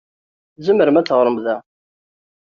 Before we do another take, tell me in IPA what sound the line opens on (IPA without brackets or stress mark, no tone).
z